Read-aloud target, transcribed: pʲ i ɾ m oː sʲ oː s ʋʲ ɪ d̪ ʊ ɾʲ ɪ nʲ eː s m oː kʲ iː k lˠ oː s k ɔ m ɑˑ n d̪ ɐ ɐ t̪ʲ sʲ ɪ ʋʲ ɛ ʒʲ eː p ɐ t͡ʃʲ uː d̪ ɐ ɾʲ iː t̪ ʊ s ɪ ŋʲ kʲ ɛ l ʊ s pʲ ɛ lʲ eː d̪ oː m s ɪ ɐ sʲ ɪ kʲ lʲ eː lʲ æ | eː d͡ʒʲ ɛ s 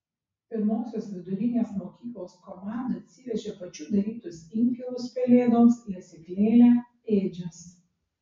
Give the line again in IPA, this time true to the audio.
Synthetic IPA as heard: pʲ ɪ ɾ m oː sʲ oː s ʋʲ ɪ d̪ ʊ ɾʲ ɪ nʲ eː s m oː kʲ iː k lˠ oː s k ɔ m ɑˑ n d̪ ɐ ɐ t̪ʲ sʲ ɪ ʋʲ ɛ ʒʲ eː p ɐ t͡ʃʲ uː d̪ ɐ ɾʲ iː t̪ ʊ s ɪ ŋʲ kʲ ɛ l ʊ s pʲ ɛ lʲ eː d̪ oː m s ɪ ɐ sʲ ɪ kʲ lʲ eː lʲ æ | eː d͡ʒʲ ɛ s

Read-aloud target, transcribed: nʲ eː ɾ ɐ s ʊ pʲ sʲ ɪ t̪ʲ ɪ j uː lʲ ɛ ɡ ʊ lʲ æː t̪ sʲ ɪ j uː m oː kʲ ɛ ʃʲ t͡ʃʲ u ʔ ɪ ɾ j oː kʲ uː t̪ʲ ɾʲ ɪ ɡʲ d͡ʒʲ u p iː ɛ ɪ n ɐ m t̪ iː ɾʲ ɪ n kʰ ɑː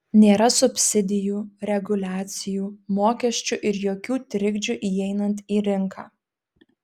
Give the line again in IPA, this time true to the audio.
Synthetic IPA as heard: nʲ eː ɾ ɐ s ʊ pʲ sʲ ɪ d̪ʲ ɪ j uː ɾʲ ɛ ɡ ʊ lʲ æː t̪ sʲ ɪ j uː m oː kʲ ɛ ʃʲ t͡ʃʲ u ʔ ɪ ɾ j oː kʲ uː t̪ʲ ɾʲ ɪ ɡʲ d͡ʒʲ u ʔ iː ɛ ɪ n ɐ n t̪ iː ɾʲ ɪ ŋ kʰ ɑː

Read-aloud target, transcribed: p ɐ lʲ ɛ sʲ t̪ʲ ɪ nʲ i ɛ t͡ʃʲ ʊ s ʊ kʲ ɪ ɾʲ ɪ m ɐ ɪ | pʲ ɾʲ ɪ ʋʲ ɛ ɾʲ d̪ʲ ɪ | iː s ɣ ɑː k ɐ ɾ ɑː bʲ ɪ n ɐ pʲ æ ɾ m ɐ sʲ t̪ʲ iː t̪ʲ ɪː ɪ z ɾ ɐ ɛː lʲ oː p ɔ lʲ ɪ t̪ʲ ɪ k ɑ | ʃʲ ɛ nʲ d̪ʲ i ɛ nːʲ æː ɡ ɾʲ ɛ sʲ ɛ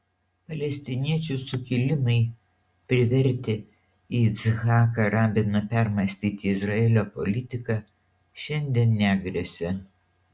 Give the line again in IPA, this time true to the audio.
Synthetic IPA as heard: p ɐ lʲ ɛ sʲ t̪ʲ ɪ nʲ i ɛ t͡ʃʲ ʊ s ʊ kʲ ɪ lʲ ɪ m ɐ ɪ | pʲ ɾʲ ɪ ʋʲ ɛ ɾʲ t̪ʲ ɪ | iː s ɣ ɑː k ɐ ɾ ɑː bʲ ɪ n ɐ pʲ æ ɾ m ɐ sʲ t̪ʲ iː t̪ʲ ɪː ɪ z ɾ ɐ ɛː lʲ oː p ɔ lʲ ɪ t̪ʲ ɪ k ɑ | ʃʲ ɛ nʲ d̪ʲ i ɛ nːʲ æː ɡ ɾʲ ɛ sʲ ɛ

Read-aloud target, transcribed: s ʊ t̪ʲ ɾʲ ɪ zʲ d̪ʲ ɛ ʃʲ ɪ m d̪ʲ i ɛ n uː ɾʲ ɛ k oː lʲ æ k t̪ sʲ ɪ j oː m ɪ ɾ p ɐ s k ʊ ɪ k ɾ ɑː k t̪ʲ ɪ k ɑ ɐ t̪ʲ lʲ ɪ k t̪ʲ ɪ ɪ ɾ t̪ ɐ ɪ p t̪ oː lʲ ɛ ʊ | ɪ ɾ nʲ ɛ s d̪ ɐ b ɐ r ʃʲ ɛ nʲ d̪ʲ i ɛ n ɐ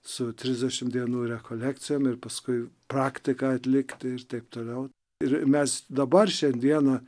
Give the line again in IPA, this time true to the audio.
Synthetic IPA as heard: s ʊ t̪ʲ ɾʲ ɪ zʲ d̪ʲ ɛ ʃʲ ɪ m d̪ʲ i ɛ n uː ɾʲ ɛ k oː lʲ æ k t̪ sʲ ɪ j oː m ɪ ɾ p ɐ s k ʊ ɪ p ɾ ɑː k t̪ʲ ɪ k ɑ ɐ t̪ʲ lʲ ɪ k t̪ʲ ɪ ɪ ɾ t̪ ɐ ɪ p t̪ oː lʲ ɛ ʊ | ɪ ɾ mʲ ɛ s d̪ ɐ b ɐ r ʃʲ ɛ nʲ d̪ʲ i ɛ n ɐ

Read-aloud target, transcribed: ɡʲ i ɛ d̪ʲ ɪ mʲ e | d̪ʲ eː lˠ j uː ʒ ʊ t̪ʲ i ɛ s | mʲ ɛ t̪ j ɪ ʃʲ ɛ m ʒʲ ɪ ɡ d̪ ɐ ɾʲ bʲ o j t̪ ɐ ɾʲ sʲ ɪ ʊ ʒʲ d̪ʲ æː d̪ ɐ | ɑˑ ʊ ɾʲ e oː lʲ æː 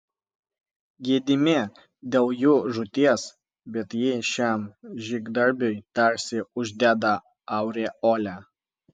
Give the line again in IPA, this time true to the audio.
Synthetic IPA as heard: ɡʲ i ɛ d̪ʲ ɪ mʲ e | d̪ʲ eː lˠ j uː ʒ ʊ t̪ʲ i ɛ s | bʲ ɛ t̪ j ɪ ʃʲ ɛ m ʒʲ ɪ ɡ d̪ ɐ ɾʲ bʲ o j t̪ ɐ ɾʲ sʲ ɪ ʊ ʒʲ d̪ʲ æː d̪ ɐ | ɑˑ ʊ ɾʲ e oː lʲ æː

